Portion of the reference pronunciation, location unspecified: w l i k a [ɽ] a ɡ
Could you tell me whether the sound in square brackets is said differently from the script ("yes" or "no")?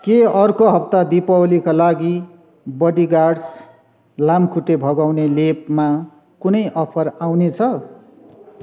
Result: yes